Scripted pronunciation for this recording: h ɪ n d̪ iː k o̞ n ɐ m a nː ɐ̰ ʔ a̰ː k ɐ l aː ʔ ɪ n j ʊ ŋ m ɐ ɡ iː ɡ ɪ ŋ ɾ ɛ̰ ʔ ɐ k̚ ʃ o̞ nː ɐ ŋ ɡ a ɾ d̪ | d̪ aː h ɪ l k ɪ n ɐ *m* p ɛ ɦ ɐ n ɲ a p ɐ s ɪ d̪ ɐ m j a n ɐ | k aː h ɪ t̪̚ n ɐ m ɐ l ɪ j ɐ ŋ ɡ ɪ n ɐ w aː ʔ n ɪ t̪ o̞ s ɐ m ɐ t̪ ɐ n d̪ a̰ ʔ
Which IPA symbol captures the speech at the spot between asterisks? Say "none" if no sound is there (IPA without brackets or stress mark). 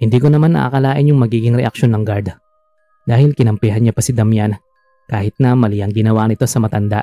m